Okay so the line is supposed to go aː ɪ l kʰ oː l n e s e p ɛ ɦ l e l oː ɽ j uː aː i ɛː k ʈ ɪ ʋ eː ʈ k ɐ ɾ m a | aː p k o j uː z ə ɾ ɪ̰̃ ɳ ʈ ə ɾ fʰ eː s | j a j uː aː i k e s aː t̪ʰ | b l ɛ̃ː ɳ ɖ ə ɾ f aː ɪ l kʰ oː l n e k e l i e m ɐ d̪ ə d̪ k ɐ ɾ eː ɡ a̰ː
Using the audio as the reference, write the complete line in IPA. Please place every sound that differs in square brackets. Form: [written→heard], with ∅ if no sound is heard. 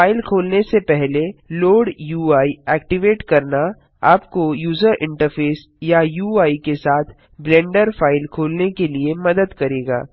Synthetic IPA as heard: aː ɪ l kʰ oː l n e s e p ɛ ɦ l e l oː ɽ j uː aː i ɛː k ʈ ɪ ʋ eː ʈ k ɐ ɾ [m→n] a | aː p k o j uː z ə ɾ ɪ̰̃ ɳ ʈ ə ɾ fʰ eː s | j a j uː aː i k e s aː t̪ʰ | b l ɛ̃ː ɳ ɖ ə ɾ f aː ɪ l kʰ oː l n e k e l i e m ɐ d̪ ə d̪ k ɐ ɾ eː ɡ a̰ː